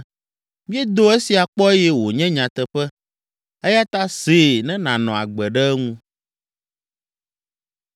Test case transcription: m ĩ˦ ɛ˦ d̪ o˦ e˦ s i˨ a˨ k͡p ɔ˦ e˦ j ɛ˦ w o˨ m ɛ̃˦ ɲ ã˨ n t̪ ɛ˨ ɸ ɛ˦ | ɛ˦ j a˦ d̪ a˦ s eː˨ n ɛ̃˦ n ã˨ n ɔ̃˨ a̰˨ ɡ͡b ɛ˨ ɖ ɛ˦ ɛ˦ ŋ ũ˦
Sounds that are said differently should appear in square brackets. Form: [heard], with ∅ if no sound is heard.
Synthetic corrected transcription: m ĩ˦ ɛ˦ d̪ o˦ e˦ s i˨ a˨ k͡p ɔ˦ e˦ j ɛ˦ w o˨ [ɲ] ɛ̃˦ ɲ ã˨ [∅] t̪ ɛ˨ ɸ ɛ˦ | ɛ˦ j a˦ [t̪] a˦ s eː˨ n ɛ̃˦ n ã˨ n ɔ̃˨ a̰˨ ɡ͡b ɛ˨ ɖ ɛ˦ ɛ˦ ŋ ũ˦